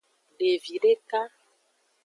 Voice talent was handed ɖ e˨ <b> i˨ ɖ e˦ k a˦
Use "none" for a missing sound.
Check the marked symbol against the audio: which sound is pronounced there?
v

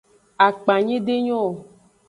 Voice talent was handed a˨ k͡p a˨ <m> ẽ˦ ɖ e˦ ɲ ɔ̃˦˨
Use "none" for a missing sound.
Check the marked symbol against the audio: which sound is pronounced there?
ɲ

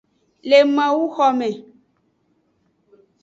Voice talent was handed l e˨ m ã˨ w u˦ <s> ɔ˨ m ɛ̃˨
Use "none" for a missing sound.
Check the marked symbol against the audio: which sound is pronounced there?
x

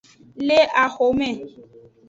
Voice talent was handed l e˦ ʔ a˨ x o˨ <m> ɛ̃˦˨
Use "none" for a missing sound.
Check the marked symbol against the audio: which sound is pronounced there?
m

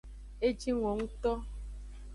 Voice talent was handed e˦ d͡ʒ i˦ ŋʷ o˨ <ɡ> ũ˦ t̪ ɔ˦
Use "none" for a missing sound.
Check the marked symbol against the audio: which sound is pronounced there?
ŋ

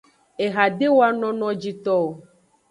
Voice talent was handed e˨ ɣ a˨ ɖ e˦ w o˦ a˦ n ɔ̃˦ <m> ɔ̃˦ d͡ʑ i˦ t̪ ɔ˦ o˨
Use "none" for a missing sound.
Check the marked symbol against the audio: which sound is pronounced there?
n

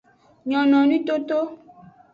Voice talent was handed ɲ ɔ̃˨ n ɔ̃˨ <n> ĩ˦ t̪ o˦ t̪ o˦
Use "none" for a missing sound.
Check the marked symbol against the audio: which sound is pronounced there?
n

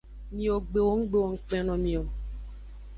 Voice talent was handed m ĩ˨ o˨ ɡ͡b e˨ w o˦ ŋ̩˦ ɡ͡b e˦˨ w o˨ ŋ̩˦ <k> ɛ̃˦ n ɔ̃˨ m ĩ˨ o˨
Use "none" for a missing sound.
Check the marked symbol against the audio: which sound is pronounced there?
k͡p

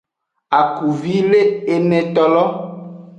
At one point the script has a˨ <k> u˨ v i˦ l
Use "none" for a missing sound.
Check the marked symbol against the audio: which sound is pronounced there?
k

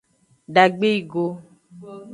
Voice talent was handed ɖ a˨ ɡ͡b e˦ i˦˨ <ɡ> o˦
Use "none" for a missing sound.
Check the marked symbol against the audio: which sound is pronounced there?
ɡ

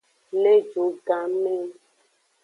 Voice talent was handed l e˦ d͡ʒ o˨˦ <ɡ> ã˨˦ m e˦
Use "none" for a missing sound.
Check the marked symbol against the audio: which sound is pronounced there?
ɡ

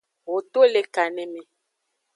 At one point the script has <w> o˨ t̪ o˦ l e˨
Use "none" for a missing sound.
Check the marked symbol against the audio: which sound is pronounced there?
w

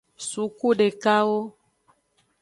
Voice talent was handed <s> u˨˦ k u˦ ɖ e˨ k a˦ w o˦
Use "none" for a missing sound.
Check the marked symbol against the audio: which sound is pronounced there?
s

